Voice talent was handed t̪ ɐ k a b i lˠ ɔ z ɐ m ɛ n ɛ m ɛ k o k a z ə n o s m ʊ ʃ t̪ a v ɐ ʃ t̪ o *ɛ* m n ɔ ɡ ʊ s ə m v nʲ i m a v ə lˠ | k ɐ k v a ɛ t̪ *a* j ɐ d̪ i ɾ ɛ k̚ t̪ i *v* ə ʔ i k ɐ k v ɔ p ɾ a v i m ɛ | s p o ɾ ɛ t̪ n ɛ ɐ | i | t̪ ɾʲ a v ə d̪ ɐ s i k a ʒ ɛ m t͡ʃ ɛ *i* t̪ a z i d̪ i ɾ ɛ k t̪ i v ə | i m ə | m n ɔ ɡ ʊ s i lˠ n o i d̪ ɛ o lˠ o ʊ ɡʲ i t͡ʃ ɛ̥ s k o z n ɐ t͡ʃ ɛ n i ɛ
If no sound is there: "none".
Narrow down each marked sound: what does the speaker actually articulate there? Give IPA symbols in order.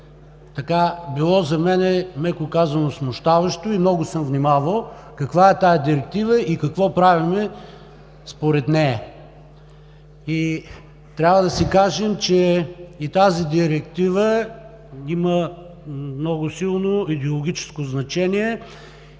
i, a, v, i

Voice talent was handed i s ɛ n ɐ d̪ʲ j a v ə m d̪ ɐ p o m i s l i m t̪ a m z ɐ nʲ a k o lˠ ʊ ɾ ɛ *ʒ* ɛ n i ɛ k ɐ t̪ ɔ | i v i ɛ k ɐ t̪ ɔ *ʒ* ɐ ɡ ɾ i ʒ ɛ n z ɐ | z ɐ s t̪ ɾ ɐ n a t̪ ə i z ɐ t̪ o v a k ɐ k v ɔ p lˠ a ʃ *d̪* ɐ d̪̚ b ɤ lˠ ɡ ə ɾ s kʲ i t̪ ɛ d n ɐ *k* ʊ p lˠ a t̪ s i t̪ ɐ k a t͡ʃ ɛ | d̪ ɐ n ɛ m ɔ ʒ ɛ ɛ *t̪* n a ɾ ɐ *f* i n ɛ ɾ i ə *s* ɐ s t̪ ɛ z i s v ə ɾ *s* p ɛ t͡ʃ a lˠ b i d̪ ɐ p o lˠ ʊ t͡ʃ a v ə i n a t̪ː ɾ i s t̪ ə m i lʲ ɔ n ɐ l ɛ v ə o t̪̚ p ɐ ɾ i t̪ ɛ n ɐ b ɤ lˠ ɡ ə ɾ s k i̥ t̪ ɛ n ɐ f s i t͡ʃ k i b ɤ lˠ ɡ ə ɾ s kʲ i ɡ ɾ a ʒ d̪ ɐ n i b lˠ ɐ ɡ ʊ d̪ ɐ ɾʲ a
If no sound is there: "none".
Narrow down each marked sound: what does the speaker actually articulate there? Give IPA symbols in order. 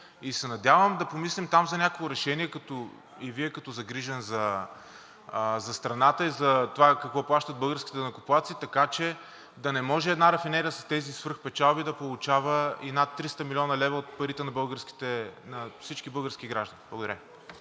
ʃ, z, t̪, k, d̪, f, s, x

